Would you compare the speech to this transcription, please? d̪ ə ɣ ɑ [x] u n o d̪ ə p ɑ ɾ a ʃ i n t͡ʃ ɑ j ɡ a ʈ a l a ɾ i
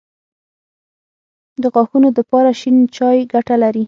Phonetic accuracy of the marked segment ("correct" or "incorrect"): correct